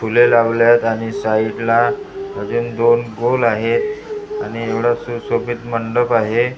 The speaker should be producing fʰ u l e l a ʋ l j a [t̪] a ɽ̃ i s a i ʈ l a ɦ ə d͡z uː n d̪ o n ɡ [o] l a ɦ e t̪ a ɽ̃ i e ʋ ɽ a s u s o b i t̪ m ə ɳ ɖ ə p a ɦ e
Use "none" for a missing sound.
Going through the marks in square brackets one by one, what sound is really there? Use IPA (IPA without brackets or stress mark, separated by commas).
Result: t̪, o